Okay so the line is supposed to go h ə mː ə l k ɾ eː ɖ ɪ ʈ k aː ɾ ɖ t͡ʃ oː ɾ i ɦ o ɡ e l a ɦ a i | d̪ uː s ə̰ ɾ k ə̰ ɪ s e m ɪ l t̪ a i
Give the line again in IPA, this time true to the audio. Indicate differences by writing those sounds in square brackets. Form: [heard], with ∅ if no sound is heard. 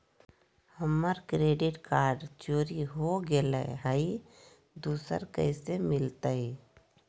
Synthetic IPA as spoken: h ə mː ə [ɾ] k ɾ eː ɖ ɪ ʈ k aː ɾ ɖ t͡ʃ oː ɾ i ɦ o ɡ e l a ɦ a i | d̪ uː s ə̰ ɾ k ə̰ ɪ s e m ɪ l t̪ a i